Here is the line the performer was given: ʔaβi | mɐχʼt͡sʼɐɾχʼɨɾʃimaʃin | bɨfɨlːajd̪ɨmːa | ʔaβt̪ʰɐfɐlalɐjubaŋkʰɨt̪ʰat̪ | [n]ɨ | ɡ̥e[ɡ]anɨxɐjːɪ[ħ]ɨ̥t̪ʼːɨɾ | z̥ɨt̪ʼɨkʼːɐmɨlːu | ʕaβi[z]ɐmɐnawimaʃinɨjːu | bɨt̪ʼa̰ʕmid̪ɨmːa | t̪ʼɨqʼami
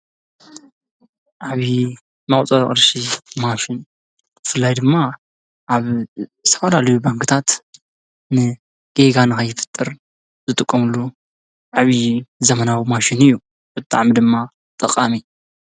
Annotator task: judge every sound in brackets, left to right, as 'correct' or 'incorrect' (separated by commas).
correct, correct, incorrect, correct